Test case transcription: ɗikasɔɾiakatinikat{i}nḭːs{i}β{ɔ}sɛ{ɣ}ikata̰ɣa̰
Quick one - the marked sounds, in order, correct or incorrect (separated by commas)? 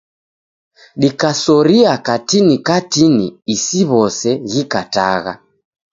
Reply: correct, correct, correct, correct